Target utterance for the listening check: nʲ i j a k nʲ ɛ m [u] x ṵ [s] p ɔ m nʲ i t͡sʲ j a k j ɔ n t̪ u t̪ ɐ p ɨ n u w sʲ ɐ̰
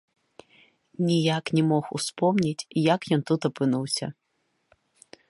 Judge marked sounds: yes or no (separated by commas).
no, yes